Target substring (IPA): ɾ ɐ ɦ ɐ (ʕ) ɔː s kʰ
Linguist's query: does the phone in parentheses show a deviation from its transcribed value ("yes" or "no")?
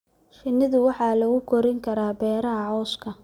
no